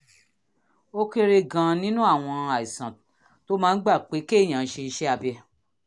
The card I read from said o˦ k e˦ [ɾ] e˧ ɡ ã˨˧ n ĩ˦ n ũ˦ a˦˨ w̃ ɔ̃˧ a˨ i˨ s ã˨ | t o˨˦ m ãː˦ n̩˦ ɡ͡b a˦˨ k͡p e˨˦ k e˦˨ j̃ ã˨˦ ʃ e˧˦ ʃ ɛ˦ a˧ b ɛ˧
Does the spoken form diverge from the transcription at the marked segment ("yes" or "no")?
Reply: no